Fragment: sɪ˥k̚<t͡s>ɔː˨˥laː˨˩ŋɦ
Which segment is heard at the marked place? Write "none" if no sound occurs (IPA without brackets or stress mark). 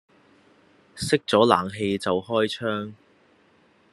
t͡s